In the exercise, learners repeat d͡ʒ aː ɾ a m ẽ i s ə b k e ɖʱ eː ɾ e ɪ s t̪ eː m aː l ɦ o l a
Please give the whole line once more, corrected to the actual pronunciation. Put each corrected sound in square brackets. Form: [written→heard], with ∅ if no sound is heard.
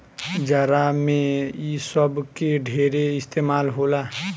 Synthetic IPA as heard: d͡ʒ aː ɾ a m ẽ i s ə b k e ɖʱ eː ɾ e ɪ s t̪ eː m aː l ɦ o l a

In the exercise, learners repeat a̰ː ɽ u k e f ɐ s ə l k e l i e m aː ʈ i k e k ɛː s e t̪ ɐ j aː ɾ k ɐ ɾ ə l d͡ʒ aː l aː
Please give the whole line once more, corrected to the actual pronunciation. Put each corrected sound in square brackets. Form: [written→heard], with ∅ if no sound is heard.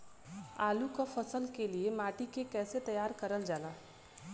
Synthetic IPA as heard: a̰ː [ɽ→l] u k [e→a] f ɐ s ə l k e l i e m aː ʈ i k e k ɛː s e t̪ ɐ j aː ɾ k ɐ ɾ ə l d͡ʒ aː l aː

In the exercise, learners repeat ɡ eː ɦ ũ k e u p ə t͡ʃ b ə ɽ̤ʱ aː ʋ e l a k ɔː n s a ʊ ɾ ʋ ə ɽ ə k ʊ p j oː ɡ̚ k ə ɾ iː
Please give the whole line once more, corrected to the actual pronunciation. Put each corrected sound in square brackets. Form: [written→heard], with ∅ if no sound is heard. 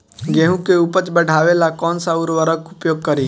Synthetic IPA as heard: ɡ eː ɦ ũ k e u p ə t͡ʃ b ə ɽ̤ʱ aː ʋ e l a k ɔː n s a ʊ ɾ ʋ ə [ɽ→ɾ] ə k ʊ p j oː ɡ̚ k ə ɾ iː

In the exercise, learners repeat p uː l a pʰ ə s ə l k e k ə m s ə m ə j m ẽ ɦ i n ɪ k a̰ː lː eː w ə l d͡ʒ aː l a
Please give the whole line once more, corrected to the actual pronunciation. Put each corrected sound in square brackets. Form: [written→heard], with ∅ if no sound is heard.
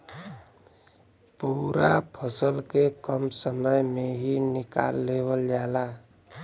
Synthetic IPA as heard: p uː [l→ɾ] a pʰ ə s ə l k e k ə m s ə m ə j m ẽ ɦ i n ɪ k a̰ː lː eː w ə l d͡ʒ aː l a

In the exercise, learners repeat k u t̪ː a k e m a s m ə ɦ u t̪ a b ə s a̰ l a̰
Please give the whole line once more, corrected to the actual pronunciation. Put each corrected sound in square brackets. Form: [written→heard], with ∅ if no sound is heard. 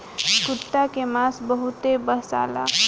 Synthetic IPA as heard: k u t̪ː a k e m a s [m→b] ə ɦ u t̪ [a→e] b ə s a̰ l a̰

